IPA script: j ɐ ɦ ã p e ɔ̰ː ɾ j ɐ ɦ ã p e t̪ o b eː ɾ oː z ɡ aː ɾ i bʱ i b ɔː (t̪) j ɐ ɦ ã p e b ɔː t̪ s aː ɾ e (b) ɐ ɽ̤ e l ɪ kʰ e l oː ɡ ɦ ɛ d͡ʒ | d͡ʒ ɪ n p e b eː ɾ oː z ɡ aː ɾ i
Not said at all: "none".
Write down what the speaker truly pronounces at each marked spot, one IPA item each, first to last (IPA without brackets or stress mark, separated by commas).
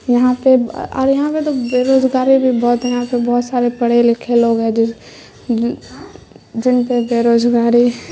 t̪, p